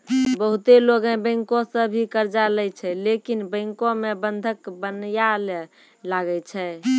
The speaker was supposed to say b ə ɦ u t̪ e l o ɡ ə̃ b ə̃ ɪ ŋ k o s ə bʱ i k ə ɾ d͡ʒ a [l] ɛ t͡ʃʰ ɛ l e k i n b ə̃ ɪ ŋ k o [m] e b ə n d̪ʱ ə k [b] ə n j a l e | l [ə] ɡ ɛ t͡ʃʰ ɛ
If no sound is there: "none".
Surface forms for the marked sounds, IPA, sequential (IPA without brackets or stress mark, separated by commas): l, m, b, a